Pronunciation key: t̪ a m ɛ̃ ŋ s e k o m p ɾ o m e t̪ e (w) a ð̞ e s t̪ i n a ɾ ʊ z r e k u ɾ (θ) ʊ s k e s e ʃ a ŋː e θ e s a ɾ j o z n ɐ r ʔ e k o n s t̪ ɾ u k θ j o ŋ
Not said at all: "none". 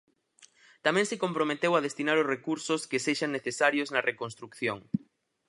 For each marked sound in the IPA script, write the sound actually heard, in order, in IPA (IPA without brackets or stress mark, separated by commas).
w, s